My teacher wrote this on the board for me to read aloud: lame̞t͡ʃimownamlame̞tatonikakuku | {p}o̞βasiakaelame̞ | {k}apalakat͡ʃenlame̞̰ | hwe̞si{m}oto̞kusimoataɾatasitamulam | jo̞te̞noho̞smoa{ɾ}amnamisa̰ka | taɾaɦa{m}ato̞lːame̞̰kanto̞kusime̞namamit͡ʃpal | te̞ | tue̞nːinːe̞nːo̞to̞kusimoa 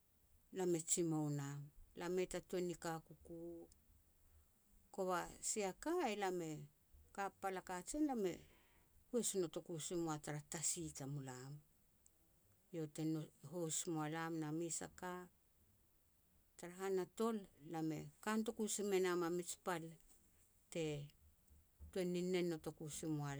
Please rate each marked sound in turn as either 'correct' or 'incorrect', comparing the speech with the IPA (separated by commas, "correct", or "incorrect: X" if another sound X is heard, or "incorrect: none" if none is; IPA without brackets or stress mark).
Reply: incorrect: k, correct, incorrect: n, incorrect: l, incorrect: n